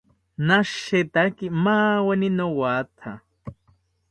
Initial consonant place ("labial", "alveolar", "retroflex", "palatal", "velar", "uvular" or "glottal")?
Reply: alveolar